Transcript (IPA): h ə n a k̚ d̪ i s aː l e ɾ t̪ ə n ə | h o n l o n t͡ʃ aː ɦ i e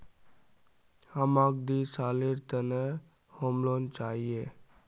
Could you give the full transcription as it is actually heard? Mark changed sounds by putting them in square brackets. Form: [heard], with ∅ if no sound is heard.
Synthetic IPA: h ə [m] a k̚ d̪ i s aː l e ɾ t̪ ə n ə | h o [m] l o n t͡ʃ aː ɦ i e